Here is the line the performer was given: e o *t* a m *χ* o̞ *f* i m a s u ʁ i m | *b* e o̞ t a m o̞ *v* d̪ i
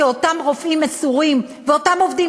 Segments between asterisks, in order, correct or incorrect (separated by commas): correct, incorrect, correct, incorrect, correct